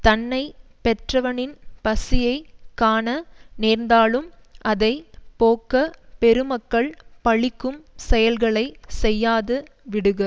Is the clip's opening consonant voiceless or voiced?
voiceless